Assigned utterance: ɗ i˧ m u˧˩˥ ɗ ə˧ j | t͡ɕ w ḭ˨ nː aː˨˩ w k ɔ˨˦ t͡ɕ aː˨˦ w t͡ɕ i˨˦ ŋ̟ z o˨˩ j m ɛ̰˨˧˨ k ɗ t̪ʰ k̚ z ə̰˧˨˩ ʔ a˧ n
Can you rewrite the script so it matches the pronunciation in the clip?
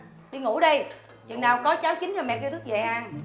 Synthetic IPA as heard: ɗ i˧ ŋ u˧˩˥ ɗ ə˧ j | t͡ɕ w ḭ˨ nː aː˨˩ w k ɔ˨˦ t͡ɕ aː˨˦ w t͡ɕ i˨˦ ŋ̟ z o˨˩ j m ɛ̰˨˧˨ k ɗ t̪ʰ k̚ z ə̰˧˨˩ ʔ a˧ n